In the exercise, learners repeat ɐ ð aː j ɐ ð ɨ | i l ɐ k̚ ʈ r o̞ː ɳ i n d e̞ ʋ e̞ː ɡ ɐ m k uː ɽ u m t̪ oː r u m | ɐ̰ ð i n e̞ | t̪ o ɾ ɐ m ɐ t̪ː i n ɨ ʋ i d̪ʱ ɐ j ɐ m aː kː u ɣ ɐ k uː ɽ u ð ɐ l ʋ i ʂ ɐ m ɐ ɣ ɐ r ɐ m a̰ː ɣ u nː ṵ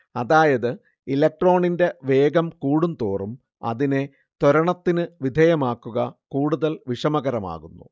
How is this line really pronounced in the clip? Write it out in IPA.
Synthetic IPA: ɐ ð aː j ɐ ð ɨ | i l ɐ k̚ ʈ r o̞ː ɳ i n d e̞ ʋ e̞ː ɡ ɐ m k uː ɽ u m t̪ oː r u m | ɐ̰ ð i n e̞ | t̪ o ɾ ɐ ɳ ɐ t̪ː i n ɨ ʋ i d̪ʱ ɐ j ɐ m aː kː u ɣ ɐ k uː ɽ u ð ɐ l ʋ i ʂ ɐ m ɐ ɣ ɐ ɾ ɐ m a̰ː ɣ u nː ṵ